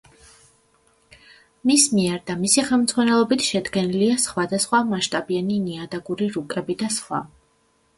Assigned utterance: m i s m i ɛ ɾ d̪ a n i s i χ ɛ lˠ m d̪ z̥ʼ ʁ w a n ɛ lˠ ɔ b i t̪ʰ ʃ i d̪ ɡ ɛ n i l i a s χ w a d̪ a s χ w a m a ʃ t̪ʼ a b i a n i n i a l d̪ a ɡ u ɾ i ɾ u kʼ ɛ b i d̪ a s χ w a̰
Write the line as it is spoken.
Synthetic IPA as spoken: m i s m i ɛ ɾ d̪ a m i s i χ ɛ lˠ m d̪ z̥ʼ ʁ w a n ɛ lˠ ɔ b i t̪ʰ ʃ ɛ d̪ ɡ ɛ n i l i a s χ w a d̪ a s χ w a m a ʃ t̪ʼ a b i a n i n i a d̪ a ɡ u ɾ i ɾ u kʼ ɛ b i d̪ a s χ w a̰